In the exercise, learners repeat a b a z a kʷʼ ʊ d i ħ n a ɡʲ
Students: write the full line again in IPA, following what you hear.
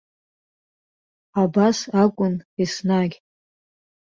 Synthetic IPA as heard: a b a s a kʷʼ ʊ n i s n a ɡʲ